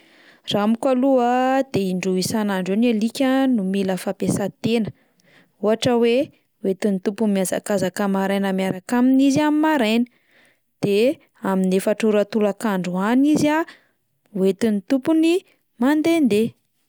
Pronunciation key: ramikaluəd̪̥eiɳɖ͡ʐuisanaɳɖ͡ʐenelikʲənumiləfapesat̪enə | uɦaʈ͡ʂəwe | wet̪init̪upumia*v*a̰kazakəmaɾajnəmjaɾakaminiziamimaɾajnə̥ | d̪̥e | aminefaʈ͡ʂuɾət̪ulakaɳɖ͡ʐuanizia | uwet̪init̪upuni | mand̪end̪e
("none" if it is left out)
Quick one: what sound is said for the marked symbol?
z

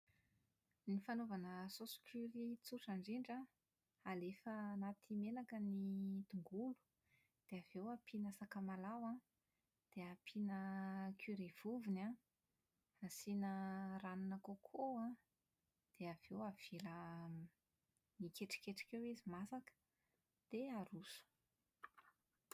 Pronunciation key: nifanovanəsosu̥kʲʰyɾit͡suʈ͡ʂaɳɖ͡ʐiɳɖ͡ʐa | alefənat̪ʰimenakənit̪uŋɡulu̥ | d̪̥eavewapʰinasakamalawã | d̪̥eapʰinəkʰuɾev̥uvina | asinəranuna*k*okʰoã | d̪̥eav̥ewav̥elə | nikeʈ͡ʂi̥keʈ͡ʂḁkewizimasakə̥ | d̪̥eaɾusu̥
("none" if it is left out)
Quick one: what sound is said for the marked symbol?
k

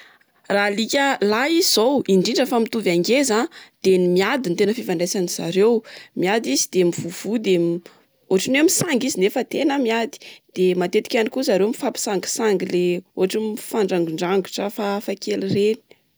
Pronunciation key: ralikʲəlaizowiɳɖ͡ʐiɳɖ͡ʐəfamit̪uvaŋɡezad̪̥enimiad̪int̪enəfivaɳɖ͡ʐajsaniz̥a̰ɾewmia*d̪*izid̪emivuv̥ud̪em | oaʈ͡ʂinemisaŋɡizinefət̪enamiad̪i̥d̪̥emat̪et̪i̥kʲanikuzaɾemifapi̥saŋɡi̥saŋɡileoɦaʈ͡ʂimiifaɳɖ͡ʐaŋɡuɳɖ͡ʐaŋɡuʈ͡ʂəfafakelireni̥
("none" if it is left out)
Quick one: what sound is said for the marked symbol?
d̪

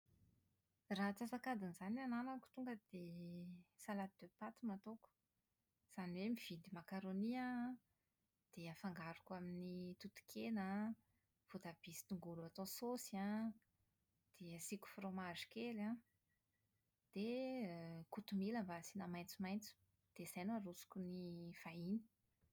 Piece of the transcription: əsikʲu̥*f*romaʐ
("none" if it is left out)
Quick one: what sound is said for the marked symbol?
f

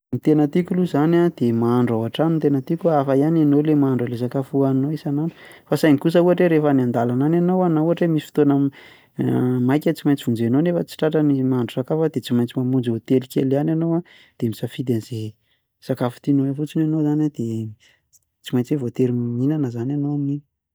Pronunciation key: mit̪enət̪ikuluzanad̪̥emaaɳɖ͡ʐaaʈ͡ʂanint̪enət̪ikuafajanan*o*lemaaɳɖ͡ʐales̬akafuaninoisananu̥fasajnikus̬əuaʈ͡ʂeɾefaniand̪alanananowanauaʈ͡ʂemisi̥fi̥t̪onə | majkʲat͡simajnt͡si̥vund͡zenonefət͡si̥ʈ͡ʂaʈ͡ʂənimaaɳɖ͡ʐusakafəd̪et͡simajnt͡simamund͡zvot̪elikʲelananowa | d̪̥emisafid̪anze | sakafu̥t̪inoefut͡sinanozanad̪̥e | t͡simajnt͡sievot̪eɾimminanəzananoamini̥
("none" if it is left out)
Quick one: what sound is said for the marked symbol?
o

